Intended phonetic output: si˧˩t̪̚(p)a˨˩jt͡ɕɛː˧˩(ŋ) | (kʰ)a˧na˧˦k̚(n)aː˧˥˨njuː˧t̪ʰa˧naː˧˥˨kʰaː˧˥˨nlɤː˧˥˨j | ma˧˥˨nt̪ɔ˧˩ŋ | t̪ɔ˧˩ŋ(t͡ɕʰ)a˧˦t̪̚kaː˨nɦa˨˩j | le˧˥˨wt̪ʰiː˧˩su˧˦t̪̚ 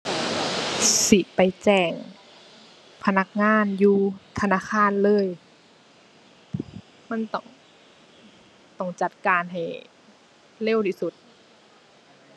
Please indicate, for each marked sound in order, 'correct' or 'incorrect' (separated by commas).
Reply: correct, correct, incorrect, incorrect, incorrect